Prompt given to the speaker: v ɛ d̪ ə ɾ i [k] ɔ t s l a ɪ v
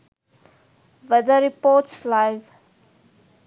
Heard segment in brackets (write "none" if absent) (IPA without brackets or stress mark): p